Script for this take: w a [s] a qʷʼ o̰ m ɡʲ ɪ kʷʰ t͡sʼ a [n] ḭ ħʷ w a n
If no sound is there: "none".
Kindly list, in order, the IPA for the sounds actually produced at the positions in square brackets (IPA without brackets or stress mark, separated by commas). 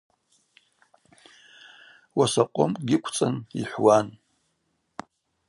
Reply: s, n